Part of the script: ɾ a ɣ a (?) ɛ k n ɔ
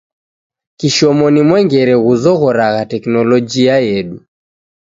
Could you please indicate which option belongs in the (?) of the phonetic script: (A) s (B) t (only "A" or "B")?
B